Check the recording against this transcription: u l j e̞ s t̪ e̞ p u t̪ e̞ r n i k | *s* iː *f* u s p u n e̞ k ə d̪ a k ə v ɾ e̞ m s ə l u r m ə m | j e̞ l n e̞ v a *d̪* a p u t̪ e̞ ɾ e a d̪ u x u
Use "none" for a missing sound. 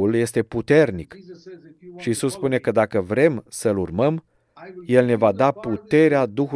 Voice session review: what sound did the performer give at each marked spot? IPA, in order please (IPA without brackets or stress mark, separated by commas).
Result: ʃ, s, d̪